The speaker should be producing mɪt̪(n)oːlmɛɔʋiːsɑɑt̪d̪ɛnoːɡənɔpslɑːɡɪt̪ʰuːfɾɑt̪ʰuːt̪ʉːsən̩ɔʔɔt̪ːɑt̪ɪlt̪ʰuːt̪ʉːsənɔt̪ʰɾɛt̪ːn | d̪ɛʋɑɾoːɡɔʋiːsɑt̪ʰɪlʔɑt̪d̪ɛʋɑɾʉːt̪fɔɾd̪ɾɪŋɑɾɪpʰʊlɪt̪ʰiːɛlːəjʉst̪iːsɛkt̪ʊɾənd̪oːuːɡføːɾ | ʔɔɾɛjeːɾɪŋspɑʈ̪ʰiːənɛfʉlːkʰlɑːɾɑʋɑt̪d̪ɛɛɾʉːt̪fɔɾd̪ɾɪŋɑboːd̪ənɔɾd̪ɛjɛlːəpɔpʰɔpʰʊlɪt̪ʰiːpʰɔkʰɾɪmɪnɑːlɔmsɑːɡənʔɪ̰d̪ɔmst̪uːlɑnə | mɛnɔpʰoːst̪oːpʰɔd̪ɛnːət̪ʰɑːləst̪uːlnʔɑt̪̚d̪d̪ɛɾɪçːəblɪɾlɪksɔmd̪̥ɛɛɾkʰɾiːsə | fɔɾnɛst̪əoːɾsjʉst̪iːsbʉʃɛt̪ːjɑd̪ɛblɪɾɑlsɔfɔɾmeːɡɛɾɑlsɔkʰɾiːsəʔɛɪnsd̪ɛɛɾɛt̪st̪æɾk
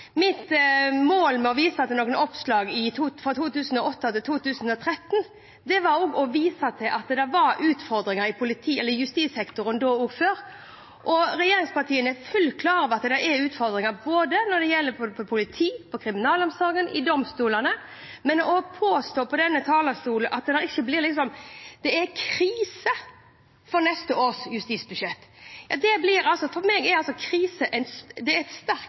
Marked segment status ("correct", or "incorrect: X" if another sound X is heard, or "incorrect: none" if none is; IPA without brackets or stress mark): incorrect: m